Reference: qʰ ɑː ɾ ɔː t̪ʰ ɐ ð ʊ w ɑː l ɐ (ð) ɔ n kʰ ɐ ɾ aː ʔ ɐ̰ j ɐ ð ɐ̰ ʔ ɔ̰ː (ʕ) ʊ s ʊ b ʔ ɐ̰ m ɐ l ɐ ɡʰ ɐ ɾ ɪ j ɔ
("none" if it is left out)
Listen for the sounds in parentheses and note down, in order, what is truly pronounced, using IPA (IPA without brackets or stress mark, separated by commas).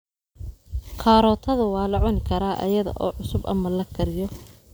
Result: ʕ, ʕ